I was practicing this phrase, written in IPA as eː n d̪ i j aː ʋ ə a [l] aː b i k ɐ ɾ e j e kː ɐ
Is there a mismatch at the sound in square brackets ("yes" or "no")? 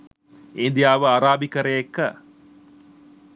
yes